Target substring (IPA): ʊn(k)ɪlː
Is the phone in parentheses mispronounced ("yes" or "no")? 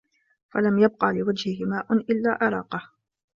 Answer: yes